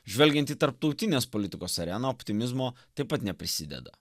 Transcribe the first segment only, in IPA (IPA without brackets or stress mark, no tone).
ʒʲ